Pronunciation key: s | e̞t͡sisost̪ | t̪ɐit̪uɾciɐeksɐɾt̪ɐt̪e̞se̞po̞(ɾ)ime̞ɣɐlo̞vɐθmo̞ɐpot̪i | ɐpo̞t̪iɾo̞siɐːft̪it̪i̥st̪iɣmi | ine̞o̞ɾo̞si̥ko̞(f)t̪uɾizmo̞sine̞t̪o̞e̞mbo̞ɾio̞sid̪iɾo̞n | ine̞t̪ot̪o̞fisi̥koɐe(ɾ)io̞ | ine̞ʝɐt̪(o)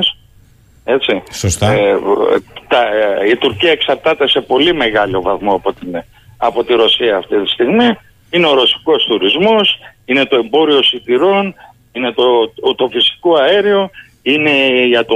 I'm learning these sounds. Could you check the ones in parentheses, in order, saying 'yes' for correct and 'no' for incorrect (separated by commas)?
no, no, yes, yes